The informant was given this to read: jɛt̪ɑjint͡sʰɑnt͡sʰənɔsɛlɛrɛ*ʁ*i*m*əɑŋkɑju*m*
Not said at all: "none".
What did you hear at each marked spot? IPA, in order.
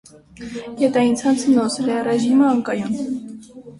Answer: ʒ, m, n

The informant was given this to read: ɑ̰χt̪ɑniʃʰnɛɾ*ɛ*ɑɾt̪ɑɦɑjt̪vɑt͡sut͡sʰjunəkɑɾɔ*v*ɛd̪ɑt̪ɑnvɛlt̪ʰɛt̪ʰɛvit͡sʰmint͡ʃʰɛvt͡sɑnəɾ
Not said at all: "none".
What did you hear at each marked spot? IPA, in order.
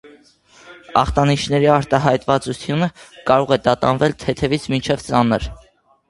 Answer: i, ʁ

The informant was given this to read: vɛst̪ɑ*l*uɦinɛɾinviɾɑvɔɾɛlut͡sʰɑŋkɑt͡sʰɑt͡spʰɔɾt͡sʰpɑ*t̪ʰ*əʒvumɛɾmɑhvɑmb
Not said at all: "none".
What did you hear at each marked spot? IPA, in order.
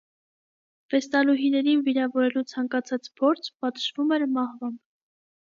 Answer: l, t̪

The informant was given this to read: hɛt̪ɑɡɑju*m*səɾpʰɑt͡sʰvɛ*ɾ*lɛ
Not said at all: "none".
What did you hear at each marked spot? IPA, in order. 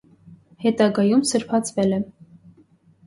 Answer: m, none

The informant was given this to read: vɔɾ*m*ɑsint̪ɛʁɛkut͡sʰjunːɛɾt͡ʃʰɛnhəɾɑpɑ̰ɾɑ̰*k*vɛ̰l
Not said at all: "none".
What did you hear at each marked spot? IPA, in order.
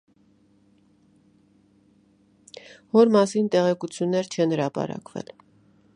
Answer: m, k

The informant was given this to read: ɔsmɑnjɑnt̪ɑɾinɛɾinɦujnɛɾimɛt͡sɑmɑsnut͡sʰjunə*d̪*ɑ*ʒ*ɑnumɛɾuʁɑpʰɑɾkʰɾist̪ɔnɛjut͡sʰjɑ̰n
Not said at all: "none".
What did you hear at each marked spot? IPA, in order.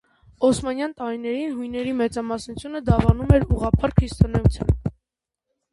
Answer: d̪, v

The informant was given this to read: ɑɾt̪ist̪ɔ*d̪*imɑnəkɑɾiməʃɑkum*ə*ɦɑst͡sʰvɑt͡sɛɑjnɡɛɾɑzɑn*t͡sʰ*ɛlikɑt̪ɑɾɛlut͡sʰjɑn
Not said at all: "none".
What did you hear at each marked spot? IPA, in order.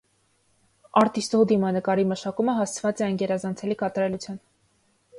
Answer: d̪, ə, t͡sʰ

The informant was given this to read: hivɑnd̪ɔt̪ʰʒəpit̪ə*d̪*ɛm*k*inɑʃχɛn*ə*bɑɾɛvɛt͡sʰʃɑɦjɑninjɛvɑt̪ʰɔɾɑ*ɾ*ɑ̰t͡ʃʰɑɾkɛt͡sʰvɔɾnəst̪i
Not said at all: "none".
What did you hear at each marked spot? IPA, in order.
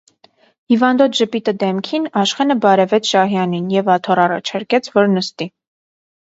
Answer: d̪, kʰ, ə, r

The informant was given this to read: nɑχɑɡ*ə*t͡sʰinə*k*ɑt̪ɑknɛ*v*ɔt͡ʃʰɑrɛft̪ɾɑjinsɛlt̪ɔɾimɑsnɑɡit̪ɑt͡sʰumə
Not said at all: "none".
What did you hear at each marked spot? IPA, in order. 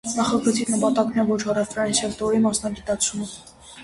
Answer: ə, p, v

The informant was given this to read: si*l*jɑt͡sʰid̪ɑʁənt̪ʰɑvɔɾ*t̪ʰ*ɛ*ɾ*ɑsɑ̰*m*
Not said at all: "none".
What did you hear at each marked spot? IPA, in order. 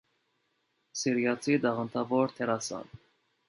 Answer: ɾ, t̪ʰ, ɾ, n

